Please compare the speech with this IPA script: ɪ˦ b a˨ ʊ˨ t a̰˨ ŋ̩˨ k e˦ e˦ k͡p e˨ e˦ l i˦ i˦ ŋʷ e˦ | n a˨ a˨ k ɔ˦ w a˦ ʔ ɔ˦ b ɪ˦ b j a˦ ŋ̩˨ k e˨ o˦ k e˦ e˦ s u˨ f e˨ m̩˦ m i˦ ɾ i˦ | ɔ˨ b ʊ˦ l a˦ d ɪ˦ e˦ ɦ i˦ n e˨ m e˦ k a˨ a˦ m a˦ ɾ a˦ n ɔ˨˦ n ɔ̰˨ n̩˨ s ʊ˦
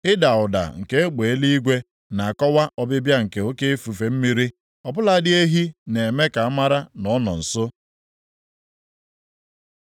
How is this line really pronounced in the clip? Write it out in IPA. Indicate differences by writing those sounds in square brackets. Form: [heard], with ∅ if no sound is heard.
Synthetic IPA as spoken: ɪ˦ [d] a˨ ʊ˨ [d] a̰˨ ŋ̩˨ k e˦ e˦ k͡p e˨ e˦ l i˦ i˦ [ɡʷ] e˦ | n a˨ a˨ k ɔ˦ w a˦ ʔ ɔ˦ b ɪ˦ b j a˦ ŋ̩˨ k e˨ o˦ k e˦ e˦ [f] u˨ f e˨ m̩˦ m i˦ ɾ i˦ | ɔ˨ b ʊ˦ l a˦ d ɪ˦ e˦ ɦ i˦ n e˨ m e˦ k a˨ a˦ m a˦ ɾ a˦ n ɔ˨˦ n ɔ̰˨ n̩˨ s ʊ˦